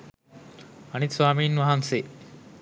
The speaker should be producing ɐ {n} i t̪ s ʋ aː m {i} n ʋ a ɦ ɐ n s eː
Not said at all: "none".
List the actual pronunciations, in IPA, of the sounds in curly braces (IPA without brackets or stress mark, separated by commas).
n, iː